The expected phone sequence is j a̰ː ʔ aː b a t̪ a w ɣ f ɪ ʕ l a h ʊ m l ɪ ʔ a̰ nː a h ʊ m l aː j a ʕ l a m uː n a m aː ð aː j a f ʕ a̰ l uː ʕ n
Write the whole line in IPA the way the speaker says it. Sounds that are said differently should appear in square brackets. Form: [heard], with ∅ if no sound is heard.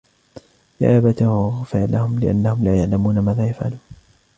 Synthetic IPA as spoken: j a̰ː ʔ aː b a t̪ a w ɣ f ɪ ʕ l a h ʊ m l ɪ ʔ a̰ nː a h ʊ m l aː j a ʕ l a m uː n a m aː ð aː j a f ʕ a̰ l uː [∅] n